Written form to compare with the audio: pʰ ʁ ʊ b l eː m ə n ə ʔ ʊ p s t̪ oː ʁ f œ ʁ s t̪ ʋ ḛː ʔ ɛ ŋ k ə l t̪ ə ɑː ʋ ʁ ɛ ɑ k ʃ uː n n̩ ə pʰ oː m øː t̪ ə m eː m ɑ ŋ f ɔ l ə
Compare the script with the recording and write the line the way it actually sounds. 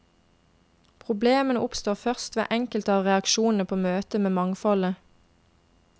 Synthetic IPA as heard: pʰ ʁ ʊ b l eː m ə n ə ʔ ʊ p s t̪ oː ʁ f œ ʁ s t̪ ʋ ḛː ʔ ɛ ŋ k ə l t̪ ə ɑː ʋ ʁ ɛ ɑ k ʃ uː n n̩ ə pʰ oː m øː t̪ ə m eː m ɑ ŋ f ɔ l ə